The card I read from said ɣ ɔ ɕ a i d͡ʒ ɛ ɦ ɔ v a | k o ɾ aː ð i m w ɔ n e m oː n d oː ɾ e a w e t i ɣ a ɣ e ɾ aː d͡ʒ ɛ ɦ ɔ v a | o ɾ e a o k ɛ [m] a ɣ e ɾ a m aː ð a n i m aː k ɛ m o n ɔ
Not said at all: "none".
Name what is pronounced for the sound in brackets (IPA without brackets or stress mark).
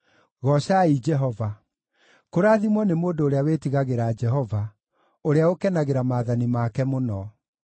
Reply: n